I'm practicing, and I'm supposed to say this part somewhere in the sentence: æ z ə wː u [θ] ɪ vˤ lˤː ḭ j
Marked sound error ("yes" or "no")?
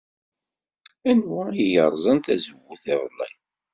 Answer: no